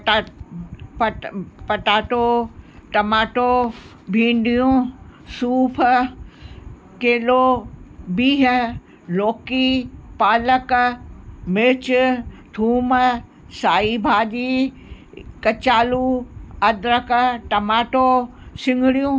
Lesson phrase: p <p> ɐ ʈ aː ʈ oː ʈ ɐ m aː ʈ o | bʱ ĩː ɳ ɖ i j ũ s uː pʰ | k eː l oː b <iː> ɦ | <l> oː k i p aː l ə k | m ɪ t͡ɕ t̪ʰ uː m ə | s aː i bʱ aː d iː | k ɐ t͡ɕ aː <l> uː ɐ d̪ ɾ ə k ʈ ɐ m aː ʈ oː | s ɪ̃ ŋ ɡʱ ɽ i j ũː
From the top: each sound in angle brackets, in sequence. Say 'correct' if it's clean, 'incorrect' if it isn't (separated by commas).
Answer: correct, correct, correct, correct